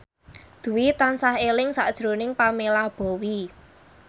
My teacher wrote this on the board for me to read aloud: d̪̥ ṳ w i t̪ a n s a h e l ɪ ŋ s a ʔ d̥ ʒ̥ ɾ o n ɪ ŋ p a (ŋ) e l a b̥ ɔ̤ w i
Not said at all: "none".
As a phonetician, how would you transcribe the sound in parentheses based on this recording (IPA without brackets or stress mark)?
m